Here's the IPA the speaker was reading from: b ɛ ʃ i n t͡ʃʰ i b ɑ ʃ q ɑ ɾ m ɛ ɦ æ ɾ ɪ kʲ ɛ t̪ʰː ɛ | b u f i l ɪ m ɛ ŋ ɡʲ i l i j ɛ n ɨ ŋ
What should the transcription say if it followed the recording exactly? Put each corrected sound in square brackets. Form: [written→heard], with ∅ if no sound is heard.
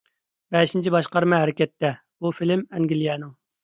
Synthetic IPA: b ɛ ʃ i n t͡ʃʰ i b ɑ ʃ q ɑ ɾ m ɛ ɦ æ ɾ ɪ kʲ ɛ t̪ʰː ɛ | b u f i l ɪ m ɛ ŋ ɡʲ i l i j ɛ n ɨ ŋ